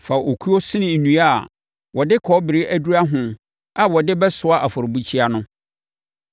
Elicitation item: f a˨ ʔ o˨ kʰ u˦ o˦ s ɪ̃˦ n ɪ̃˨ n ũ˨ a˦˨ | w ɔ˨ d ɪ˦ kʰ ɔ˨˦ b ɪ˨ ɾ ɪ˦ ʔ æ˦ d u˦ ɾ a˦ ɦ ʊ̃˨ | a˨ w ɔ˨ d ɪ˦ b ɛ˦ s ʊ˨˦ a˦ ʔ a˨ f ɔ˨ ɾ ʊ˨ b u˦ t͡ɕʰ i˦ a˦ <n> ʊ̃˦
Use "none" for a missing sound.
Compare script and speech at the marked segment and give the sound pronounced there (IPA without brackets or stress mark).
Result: n